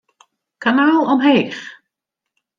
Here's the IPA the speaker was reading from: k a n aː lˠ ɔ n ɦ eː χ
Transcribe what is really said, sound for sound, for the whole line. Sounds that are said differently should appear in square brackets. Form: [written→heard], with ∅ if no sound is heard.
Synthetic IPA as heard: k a n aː lˠ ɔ [n→m] ɦ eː χ